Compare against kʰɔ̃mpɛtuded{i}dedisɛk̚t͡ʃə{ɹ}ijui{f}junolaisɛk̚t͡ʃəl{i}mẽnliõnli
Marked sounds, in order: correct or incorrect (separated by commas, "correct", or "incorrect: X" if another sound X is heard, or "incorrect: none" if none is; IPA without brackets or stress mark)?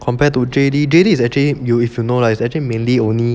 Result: correct, incorrect: l, correct, correct